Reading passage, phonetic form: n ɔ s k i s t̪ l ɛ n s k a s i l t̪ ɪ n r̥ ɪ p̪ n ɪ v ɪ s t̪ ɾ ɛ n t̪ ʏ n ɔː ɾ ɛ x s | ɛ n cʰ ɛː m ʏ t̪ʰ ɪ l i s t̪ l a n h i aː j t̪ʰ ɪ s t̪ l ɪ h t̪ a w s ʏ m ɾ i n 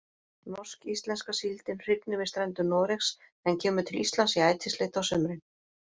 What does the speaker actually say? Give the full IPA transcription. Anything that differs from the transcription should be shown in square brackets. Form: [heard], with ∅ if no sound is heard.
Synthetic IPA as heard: n ɔ s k i s t̪ l ɛ n s k a s i l t̪ ɪ n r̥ ɪ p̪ n ɪ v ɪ s t̪ ɾ ɛ n t̪ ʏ n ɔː ɾ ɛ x s | ɛ n cʰ ɛː m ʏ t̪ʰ ɪ l i s t̪ l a n [s] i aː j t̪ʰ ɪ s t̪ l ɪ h t̪ a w s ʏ m ɾ [ɪ] n